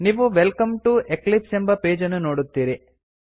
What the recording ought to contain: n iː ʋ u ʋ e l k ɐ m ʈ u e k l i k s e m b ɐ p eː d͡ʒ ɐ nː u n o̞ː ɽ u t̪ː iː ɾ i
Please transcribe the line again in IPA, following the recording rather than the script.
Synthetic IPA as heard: n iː ʋ u ʋ e l k ɐ m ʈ u e k l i p s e m b ɐ p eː d͡ʒ ɐ nː u n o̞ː ɽ u t̪ː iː ɾ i

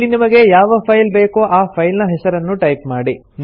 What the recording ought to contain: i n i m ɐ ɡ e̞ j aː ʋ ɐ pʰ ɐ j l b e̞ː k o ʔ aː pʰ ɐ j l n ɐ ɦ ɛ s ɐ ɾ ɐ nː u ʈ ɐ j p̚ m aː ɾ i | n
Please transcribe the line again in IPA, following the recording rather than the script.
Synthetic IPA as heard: i n i m ɐ ɡ e̞ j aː ʋ ɐ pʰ ɐ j l b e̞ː k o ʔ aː pʰ ɐ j l n ɐ ɦ ɛ s ɐ ɾ ɐ nː u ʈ ɐ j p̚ m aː ɽ i | n

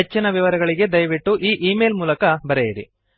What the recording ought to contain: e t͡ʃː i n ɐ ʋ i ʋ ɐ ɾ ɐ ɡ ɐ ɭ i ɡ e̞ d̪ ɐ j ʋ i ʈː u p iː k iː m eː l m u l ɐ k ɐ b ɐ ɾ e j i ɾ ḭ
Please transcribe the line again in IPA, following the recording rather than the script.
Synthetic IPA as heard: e t͡ʃː i n ɐ ʋ i ʋ ɐ ɾ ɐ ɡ ɐ ɭ i ɡ e̞ d̪ ɐ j ʋ i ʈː u ʔ iː ʔ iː m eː l m uː l ɐ k ɐ b ɐ ɾ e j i ɾ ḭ

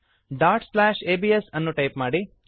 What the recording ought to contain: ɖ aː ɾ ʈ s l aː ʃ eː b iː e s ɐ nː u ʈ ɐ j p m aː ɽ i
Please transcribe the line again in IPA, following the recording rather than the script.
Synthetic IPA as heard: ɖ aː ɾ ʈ s l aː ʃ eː b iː e s ɐ nː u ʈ ɐ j p m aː ɽ i

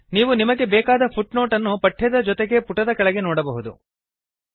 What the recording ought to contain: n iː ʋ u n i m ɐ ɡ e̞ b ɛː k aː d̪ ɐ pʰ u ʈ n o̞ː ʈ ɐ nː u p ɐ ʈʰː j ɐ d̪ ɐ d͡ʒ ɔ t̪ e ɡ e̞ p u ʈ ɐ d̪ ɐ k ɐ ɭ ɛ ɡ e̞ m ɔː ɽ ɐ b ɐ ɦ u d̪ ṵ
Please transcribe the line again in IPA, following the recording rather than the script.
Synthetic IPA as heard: n iː ʋ u n i m ɐ ɡ e̞ b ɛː k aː d̪ ɐ pʰ u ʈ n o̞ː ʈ ɐ nː u p ɐ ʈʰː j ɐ d̪ ɐ d͡ʒ ɔ t̪ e ɡ e̞ p u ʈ ɐ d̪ ɐ k ɐ ɭ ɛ ɡ e̞ n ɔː ɽ ɐ b ɐ ɦ u d̪ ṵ

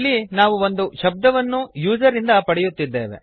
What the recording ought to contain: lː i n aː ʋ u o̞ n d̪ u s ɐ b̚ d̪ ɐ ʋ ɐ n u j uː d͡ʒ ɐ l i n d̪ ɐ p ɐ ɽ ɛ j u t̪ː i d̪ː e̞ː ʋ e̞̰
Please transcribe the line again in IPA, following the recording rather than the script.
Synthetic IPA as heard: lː i n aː ʋ u o̞ n d̪ u ʃ ɐ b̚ d̪ ɐ ʋ ɐ nː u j uː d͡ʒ ɐ ɾ i n d̪ ɐ p ɐ ɽ ɛ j u t̪ː i d̪ː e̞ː ʋ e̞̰

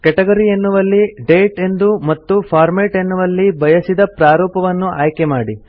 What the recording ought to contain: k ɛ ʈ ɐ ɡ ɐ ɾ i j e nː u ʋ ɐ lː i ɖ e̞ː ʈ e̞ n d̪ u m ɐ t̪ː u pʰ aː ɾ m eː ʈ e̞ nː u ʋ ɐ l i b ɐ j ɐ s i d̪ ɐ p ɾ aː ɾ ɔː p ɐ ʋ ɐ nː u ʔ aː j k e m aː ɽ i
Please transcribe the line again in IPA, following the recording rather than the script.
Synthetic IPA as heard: k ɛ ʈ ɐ ɡ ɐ ɾ i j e nː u ʋ ɐ lː i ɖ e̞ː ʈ e̞ n d̪ u m ɐ t̪ː u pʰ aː ɾ m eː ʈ e̞ nː u ʋ ɐ lː i b ɐ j ɐ s i d̪ ɐ p ɾ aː ɾ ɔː p ɐ ʋ ɐ nː u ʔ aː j k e m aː ɽ i

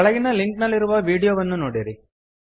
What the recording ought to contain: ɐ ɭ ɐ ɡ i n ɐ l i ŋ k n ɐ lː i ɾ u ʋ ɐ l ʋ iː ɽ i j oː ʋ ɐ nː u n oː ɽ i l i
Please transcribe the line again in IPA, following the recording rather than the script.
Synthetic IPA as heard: ɐ ɭ ɐ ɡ i n ɐ l i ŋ k n ɐ lː i ɾ u ʋ ɐ ʋ iː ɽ i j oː ʋ ɐ nː u n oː ɽ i ɾ i

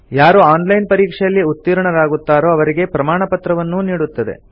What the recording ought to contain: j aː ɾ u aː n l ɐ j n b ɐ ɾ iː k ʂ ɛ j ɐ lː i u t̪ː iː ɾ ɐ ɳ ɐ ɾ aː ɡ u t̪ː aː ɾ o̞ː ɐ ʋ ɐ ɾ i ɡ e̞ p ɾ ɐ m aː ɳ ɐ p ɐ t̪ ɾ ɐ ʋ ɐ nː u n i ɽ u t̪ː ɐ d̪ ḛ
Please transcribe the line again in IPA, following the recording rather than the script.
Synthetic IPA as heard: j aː ɾ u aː n l ɐ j n p ɐ ɾ iː k ʂ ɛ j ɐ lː i u t̪ː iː ɾ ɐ ɳ ɐ ɾ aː ɡ u t̪ː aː ɾ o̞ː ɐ ʋ ɐ ɾ i ɡ e̞ p ɾ ɐ m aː ɳ ɐ p ɐ t̪ ɾ ɐ ʋ ɐ nː u n iː ɽ u t̪ː ɐ d̪ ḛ

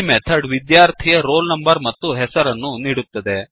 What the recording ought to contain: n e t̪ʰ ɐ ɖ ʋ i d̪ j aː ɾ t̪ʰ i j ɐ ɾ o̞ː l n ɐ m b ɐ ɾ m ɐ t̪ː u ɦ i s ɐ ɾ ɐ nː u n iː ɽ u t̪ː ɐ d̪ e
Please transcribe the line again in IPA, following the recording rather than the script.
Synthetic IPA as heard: m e t̪ʰ ɐ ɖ ʋ i d̪ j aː ɾ t̪ʰ i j ɐ ɾ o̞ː l n ɐ m b ɐ ɾ m ɐ t̪ː u ɦ ɛ s ɐ ɾ ɐ nː u n iː ɽ u t̪ː ɐ d̪ e

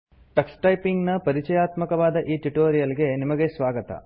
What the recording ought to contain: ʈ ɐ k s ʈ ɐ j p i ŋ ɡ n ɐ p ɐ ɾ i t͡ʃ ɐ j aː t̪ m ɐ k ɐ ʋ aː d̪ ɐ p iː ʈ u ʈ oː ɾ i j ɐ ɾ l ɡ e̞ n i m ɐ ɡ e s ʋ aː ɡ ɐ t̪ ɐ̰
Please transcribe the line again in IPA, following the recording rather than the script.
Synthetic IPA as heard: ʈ ɐ k s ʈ ɐ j p i ŋ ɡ n ɐ p ɐ ɾ i t͡ʃ ɐ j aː t̪ m ɐ k ɐ ʋ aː d̪ ɐ ʔ iː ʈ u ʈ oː ɾ i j ɐ l ɡ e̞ n i m ɐ ɡ e s ʋ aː ɡ ɐ t̪ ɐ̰

